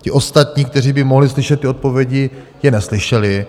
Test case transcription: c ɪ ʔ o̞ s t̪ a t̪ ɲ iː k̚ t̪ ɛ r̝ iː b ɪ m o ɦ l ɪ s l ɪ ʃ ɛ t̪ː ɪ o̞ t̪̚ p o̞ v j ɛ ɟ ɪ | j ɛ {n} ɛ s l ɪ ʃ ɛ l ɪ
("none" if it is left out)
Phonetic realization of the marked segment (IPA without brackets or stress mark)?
n